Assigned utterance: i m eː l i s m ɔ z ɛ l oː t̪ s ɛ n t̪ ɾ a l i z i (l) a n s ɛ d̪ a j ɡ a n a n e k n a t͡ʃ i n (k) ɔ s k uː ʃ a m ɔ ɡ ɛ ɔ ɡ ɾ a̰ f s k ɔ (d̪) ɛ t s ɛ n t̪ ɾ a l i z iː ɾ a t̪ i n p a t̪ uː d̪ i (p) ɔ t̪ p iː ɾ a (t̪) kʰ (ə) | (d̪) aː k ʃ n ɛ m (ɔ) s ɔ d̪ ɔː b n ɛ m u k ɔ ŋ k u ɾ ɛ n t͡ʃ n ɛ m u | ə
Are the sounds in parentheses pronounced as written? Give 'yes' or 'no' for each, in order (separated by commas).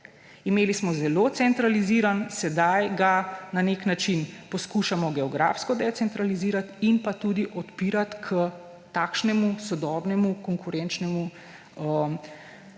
no, no, yes, no, yes, yes, no, no